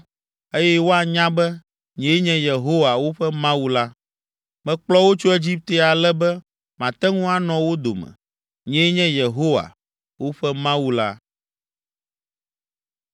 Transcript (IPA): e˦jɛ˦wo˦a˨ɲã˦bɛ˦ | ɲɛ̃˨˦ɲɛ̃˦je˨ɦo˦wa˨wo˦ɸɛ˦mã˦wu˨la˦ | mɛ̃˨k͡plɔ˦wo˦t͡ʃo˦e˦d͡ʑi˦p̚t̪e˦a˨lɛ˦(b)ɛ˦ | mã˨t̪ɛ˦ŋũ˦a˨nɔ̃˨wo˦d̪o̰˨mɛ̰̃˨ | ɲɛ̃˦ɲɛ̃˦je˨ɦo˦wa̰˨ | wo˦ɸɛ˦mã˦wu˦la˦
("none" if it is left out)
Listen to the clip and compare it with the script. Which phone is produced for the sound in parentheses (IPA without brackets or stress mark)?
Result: b